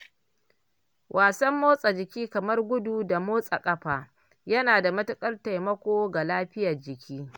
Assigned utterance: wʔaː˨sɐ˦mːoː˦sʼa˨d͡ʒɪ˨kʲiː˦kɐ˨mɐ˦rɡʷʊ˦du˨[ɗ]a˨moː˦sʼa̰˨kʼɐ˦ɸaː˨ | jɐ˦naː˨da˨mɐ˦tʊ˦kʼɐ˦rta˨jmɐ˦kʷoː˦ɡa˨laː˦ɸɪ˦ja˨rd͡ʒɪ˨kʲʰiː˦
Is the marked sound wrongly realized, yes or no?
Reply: yes